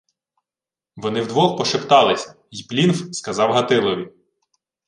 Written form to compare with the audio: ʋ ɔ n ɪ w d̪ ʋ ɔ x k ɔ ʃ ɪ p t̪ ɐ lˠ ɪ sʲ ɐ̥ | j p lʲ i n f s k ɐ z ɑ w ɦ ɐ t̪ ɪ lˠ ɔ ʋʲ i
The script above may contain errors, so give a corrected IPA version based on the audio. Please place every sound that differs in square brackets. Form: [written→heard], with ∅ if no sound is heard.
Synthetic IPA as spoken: ʋ ɔ n ɪ w d̪ ʋ ɔ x [k→p] ɔ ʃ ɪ p t̪ [ɐ→ɑ] lˠ ɪ sʲ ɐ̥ | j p lʲ i n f s k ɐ z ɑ w ɦ ɐ t̪ ɪ lˠ ɔ ʋʲ i